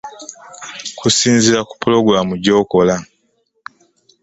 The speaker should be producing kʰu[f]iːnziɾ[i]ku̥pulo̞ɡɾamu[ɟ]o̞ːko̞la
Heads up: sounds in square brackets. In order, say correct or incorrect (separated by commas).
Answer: incorrect, incorrect, correct